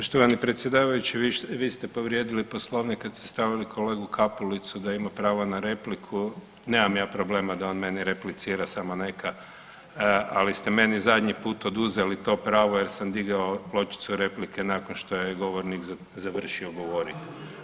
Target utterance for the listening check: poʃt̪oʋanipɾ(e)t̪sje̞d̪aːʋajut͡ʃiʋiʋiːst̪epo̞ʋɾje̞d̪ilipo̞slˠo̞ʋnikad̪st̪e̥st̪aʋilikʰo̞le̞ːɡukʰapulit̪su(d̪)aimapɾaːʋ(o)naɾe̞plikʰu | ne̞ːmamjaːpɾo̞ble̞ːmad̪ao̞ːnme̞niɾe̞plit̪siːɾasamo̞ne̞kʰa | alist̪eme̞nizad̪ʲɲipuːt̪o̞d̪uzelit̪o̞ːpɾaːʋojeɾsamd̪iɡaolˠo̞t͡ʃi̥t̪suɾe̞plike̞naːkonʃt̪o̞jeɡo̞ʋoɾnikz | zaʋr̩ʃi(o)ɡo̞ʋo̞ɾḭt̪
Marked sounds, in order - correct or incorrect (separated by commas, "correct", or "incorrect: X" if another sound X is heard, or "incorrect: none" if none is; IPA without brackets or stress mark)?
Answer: correct, correct, correct, correct